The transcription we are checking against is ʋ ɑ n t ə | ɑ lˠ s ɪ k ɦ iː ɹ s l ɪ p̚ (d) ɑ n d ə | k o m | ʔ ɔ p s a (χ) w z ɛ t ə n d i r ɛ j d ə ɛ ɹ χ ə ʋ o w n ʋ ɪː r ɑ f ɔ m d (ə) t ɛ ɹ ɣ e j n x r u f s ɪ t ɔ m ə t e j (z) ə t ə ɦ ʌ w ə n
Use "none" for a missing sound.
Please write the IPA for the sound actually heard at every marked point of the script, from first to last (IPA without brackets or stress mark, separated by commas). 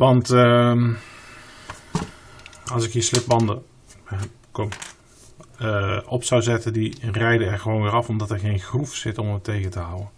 b, none, ɑ, ɣ